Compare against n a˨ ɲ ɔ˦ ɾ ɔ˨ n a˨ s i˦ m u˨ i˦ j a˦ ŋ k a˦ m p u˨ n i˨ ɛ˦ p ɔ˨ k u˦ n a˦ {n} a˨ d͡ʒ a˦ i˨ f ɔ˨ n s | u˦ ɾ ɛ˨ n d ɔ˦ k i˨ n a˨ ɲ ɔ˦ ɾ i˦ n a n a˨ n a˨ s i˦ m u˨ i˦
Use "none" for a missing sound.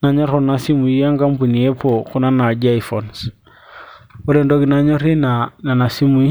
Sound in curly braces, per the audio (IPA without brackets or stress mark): n